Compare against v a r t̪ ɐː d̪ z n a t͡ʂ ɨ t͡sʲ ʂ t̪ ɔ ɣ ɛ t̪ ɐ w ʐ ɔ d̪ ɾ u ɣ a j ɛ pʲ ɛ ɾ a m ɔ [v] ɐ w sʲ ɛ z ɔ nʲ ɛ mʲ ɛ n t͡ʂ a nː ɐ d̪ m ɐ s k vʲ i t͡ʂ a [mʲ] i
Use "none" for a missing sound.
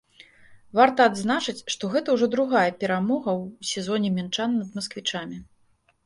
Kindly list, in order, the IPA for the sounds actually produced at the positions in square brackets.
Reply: ɣ, mʲ

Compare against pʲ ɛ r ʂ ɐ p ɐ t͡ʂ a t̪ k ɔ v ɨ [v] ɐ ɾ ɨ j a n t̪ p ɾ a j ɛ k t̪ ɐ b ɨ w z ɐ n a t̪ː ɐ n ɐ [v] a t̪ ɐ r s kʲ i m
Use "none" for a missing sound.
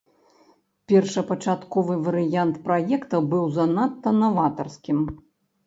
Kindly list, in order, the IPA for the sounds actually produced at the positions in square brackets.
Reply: v, v

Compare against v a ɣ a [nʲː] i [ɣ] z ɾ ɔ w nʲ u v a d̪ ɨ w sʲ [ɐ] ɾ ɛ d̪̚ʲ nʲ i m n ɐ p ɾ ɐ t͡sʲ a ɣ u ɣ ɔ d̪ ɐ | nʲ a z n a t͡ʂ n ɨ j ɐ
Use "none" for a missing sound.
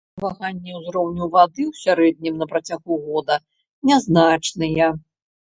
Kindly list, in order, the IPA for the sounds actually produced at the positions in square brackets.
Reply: nʲː, w, a

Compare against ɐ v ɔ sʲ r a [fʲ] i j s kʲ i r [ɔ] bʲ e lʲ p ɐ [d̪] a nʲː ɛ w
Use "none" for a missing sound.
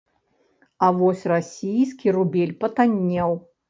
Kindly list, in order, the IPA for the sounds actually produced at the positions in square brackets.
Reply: sʲ, u, t̪

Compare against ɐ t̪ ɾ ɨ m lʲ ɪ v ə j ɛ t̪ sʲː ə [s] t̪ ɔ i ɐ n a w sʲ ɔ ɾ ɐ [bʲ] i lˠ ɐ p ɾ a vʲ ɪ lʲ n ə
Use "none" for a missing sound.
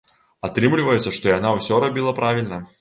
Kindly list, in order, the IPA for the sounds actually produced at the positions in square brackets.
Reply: ʂ, bʲ

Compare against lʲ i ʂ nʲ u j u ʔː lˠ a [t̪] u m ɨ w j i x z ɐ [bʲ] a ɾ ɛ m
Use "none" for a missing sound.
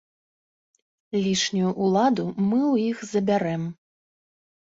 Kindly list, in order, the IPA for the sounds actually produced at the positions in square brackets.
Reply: d̪, bʲ

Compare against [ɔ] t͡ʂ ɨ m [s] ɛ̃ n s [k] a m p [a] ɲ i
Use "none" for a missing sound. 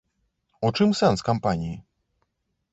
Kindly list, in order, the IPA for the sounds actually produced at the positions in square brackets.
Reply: ɔ, s, k, a

